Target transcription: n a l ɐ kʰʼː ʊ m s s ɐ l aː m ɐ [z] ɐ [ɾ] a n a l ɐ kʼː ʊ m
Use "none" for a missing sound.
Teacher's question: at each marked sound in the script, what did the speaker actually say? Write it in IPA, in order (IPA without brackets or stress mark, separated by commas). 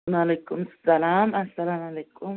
s, l